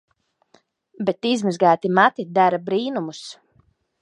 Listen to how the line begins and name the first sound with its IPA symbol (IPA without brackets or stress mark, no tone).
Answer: b